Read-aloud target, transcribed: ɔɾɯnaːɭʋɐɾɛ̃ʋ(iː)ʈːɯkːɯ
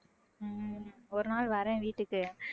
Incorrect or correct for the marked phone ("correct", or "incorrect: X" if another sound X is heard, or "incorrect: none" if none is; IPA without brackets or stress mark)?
correct